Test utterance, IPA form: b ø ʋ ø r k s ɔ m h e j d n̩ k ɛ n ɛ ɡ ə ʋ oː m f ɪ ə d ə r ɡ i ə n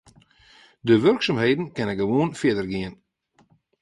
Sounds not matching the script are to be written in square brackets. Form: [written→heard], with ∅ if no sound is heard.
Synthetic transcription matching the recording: [b→d] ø ʋ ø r k s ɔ m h e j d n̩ k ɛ n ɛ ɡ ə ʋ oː [m→n] f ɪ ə d ə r ɡ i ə n